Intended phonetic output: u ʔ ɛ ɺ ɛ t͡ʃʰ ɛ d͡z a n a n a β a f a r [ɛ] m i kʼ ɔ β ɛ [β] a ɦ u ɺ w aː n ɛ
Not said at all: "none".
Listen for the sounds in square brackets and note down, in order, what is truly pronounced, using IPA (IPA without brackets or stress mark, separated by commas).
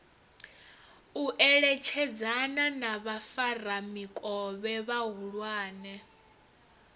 a, β